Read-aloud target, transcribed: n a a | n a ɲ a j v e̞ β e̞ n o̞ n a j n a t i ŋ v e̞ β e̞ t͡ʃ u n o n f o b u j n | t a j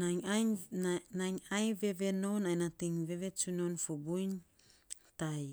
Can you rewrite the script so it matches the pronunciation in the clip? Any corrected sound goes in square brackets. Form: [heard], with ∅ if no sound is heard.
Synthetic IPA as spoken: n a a | n a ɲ a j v e̞ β e̞ n o̞ n a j n a t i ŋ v e̞ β e̞ t͡ʃ u n o n f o b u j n | t a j

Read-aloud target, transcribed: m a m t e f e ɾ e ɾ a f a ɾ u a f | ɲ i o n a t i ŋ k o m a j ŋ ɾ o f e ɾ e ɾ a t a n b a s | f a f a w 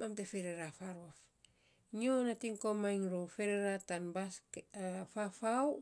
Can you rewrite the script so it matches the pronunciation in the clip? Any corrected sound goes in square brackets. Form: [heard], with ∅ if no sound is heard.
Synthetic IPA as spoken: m a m t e f e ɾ e ɾ a f a ɾ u a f | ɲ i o n a t i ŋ k o m a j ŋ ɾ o f e ɾ e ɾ a t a n b a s | f a f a w

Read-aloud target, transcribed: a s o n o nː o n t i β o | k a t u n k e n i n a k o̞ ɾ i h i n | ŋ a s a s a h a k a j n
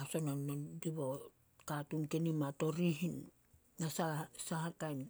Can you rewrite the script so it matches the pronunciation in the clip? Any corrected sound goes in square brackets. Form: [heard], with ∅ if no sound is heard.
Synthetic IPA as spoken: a s o n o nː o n [d] i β o | k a t u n k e n i [m] a [t] o̞ ɾ i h i n | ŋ a s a s a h a k a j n

